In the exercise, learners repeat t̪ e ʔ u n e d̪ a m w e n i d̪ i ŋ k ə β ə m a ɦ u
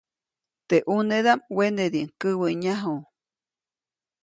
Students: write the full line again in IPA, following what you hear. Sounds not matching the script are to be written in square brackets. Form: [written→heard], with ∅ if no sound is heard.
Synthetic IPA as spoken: t̪ e ʔ u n e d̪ a m w e n [i→e] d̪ i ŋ k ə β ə [m→ɲ] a ɦ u